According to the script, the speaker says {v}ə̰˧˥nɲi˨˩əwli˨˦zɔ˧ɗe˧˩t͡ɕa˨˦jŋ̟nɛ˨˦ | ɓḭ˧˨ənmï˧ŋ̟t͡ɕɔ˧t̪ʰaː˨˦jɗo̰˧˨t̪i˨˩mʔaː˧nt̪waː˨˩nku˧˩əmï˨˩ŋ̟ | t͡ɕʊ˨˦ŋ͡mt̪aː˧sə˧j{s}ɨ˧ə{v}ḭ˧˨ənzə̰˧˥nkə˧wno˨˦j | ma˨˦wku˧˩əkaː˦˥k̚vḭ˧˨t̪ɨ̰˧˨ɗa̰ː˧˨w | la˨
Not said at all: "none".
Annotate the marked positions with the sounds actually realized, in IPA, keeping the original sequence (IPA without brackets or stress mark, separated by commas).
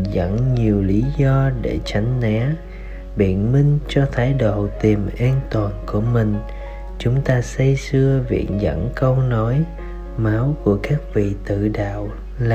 z, s, v